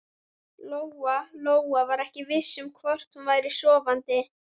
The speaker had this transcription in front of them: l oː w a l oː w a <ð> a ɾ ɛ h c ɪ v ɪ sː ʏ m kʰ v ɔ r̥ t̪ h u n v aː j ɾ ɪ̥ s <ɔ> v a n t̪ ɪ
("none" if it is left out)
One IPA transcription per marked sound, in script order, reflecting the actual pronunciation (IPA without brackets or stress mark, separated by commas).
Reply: v, ɔː